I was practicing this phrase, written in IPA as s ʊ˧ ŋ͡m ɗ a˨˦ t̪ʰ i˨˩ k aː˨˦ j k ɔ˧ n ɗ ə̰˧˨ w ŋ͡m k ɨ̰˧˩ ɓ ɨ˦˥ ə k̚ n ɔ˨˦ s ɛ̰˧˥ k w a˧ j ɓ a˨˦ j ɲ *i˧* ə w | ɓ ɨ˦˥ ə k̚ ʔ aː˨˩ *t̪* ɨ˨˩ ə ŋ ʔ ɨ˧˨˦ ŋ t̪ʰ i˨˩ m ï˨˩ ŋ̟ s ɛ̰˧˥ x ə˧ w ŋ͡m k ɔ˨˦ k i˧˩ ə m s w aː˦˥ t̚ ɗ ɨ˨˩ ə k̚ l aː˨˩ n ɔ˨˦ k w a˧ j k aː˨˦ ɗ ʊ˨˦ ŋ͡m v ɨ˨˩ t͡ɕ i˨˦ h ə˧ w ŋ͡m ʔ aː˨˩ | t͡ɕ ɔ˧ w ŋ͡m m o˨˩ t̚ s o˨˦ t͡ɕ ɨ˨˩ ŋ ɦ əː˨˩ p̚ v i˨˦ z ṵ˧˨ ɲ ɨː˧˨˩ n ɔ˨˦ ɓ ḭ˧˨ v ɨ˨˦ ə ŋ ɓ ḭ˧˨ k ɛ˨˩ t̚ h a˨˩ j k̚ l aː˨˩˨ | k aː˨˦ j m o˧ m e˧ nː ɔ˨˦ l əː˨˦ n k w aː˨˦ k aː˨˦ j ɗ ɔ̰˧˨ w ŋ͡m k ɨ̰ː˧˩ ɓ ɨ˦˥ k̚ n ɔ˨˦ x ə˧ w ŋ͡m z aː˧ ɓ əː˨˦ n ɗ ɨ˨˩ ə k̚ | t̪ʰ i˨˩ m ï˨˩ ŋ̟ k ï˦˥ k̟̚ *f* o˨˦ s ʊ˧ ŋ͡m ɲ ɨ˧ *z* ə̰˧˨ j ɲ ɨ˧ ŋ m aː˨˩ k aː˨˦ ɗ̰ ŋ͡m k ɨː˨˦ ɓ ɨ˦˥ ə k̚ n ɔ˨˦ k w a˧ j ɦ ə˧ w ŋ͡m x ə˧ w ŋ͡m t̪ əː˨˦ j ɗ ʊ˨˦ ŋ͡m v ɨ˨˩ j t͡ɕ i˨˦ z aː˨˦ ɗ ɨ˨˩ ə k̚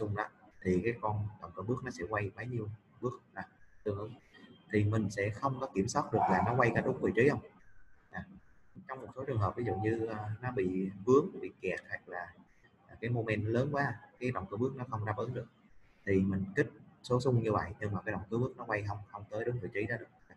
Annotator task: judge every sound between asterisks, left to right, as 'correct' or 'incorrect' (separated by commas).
correct, correct, incorrect, incorrect